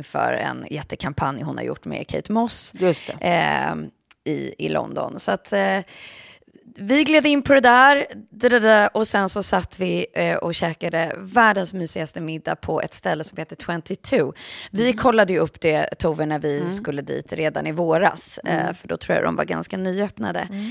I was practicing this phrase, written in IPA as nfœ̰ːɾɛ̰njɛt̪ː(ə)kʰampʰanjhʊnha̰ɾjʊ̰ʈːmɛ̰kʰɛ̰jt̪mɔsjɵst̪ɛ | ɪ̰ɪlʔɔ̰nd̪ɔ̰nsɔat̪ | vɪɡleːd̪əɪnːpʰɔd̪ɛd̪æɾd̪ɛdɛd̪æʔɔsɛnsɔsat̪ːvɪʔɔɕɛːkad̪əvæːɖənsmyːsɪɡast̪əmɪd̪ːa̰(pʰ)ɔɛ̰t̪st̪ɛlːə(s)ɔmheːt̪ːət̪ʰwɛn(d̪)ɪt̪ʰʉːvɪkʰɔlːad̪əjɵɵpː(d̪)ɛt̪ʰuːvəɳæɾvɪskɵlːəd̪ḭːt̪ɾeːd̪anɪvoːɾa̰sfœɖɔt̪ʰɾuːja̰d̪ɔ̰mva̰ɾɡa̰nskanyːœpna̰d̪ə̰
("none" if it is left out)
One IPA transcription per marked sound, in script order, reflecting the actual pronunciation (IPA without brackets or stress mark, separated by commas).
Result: ə, pʰ, s, t̪, d̪